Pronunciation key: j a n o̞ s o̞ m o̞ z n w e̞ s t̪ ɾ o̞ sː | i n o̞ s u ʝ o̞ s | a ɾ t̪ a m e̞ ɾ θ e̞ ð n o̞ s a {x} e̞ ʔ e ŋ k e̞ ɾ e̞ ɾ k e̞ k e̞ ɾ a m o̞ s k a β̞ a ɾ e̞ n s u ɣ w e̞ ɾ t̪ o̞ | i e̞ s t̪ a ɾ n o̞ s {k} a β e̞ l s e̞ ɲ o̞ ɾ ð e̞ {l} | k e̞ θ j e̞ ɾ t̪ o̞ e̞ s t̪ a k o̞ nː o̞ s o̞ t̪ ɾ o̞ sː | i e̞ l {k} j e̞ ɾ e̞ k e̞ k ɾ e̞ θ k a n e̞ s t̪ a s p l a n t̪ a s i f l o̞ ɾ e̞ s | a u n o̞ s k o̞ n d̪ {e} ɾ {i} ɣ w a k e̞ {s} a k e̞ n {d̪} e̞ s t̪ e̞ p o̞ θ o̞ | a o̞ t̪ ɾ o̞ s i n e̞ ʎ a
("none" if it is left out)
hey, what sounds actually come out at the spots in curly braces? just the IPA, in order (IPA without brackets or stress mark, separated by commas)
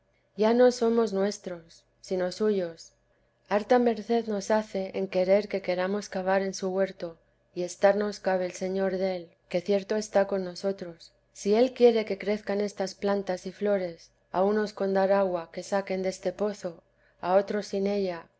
θ, k, l, k, a, a, s, d̪